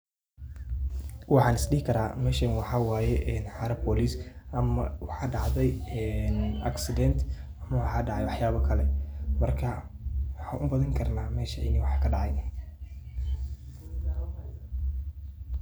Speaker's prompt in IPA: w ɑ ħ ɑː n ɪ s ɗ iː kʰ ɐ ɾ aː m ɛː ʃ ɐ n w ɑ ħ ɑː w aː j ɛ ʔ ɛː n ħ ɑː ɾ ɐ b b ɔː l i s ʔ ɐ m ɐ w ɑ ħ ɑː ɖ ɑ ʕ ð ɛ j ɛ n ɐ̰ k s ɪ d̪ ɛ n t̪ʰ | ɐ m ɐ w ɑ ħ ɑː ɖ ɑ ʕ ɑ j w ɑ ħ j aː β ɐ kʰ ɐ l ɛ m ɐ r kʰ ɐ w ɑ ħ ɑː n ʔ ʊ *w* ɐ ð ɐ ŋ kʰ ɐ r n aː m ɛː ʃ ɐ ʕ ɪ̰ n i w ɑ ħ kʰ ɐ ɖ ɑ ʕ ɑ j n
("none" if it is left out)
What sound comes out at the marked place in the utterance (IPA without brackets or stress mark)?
b